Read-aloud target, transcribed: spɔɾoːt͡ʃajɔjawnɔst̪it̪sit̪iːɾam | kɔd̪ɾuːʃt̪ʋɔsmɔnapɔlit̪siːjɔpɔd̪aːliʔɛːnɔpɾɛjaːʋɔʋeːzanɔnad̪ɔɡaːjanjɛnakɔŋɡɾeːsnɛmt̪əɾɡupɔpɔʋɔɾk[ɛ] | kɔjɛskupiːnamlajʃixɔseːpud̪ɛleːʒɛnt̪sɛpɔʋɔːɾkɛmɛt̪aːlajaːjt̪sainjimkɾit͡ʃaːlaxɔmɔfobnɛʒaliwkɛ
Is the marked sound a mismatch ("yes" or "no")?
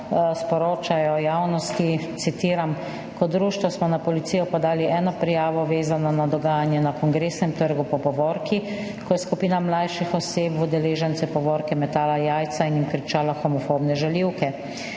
yes